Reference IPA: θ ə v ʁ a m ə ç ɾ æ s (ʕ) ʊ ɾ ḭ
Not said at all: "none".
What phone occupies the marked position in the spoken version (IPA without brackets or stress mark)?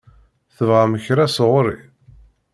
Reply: ʁ